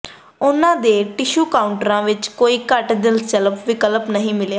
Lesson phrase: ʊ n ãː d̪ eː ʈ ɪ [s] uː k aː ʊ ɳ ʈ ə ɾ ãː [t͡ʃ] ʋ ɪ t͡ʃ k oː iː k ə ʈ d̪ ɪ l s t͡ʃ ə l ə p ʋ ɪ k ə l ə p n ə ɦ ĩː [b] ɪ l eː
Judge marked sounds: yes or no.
no, no, no

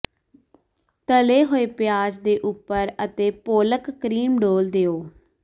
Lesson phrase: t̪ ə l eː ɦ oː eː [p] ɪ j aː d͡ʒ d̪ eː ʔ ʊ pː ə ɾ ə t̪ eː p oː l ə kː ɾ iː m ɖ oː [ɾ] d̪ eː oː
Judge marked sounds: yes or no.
yes, no

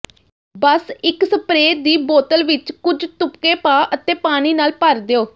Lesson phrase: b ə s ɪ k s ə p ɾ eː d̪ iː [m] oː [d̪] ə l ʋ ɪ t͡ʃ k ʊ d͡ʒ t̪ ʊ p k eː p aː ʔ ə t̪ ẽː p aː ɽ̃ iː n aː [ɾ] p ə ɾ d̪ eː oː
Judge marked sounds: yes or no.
no, no, no

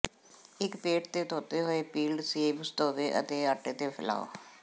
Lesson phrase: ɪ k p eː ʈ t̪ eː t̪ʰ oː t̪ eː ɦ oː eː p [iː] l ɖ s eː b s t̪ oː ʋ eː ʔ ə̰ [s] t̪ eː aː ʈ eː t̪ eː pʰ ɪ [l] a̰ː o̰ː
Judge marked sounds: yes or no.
yes, no, yes

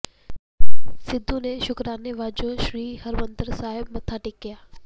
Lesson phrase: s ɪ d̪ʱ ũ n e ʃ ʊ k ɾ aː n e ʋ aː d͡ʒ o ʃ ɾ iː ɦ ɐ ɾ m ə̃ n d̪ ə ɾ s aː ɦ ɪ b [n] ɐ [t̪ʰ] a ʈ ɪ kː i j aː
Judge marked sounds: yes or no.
no, yes

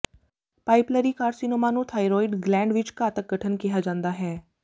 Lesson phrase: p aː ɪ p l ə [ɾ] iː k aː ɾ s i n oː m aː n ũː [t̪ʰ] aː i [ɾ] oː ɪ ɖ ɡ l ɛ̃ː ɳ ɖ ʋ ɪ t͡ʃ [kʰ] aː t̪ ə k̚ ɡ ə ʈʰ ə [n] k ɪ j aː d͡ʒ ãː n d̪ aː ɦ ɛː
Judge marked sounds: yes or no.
yes, yes, yes, no, yes

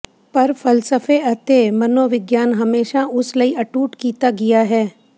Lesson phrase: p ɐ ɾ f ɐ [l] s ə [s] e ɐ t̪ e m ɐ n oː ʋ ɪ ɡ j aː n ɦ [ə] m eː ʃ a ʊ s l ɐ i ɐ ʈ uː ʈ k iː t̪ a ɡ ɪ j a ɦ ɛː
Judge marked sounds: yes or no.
yes, no, no

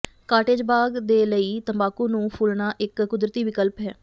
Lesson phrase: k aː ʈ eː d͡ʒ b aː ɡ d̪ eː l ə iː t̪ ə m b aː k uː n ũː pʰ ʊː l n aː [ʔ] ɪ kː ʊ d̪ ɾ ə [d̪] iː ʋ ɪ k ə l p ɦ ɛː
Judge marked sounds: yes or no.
yes, no

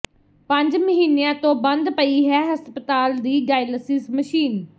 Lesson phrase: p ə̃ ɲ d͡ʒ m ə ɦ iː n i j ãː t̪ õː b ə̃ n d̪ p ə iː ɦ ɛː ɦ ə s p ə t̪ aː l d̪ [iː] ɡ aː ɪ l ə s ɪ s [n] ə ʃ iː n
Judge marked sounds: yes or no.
yes, no

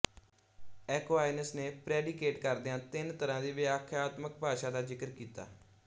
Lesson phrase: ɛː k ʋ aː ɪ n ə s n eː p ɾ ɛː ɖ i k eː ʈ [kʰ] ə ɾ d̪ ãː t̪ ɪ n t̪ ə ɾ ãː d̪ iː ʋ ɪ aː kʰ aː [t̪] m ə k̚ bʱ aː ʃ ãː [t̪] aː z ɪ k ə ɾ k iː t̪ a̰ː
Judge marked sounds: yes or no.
no, yes, no

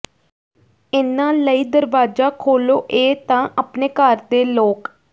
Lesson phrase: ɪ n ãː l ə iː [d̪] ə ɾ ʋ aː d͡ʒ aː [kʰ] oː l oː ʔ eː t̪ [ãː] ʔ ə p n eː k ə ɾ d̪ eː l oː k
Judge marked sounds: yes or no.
yes, yes, yes

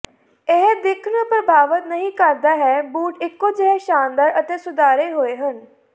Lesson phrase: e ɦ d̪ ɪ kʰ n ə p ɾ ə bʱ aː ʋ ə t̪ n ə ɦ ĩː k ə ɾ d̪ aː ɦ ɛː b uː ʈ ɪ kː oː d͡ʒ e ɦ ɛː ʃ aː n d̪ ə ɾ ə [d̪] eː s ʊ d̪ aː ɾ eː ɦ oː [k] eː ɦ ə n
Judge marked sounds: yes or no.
no, no

